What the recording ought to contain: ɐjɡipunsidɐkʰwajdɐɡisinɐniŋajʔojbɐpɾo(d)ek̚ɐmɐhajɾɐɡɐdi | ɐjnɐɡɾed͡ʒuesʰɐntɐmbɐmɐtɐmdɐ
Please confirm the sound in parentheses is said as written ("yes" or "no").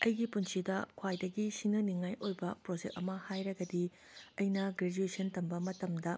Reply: no